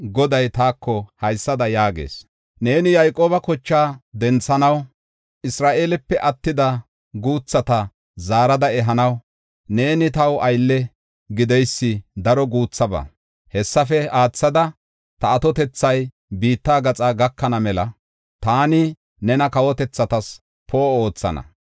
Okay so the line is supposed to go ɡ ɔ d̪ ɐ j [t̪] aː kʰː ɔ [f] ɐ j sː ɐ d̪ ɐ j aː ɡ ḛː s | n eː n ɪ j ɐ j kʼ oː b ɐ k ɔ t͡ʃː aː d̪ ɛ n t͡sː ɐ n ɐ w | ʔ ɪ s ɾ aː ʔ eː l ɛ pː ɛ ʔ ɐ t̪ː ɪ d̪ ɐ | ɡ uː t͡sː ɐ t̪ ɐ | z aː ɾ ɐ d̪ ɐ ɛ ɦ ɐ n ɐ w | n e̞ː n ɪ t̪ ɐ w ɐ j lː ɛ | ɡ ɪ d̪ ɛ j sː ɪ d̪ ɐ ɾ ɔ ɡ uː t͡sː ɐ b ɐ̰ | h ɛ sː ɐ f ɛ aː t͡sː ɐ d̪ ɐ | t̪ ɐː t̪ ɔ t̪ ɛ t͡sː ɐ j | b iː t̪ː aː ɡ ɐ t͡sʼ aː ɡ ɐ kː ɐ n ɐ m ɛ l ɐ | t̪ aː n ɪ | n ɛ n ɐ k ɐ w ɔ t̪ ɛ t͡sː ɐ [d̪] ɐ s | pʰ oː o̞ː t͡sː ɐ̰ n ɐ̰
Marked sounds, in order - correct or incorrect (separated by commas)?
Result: correct, incorrect, incorrect